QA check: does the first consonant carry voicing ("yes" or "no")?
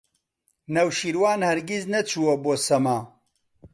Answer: yes